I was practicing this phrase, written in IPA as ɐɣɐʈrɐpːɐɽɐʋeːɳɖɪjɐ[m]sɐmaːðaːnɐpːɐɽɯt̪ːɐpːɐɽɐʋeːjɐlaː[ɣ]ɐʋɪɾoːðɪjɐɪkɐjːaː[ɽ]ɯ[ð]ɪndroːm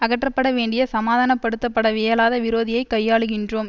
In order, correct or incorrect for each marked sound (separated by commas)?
incorrect, incorrect, incorrect, incorrect